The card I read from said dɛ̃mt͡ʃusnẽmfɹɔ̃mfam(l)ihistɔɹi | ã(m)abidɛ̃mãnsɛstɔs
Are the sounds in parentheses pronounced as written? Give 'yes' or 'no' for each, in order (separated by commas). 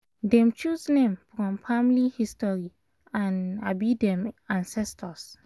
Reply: yes, no